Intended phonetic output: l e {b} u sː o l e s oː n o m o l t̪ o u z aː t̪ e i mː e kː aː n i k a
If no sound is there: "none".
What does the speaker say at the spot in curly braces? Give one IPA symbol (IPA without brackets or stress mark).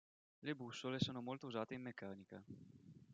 b